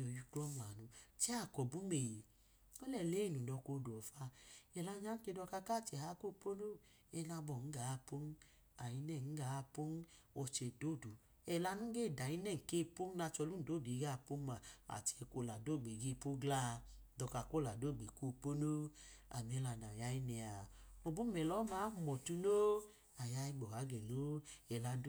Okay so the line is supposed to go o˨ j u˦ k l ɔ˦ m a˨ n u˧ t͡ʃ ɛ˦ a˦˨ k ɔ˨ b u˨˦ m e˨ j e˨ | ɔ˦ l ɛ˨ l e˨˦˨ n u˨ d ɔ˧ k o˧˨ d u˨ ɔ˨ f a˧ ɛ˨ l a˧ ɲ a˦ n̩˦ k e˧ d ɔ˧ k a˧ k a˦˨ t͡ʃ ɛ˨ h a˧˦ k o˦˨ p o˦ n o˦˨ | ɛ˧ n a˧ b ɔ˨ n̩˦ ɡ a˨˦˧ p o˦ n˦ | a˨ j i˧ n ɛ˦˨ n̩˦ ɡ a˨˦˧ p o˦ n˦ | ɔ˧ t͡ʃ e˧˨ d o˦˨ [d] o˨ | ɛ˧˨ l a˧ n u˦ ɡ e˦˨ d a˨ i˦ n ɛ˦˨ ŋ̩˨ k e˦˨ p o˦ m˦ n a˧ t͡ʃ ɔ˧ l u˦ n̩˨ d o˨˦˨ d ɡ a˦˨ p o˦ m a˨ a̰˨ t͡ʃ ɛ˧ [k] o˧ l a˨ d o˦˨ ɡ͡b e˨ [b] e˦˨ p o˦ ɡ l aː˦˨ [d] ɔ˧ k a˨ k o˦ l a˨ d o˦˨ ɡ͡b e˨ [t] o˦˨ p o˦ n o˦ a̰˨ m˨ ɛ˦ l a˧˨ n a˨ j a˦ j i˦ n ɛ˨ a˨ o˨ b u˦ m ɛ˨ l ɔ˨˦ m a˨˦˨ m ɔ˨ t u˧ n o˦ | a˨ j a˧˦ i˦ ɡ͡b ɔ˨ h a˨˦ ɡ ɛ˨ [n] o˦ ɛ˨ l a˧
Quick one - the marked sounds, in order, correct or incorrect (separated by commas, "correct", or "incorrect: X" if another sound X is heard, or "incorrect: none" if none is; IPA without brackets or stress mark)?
correct, correct, incorrect: ɡ, correct, incorrect: k, correct